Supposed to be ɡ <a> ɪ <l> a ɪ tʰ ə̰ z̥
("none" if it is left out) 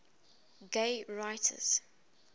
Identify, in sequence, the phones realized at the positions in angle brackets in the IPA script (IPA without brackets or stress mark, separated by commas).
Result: e, ɹ